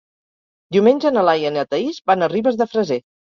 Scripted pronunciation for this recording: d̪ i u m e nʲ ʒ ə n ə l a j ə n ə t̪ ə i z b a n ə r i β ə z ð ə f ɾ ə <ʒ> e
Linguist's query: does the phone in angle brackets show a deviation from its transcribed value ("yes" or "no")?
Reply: yes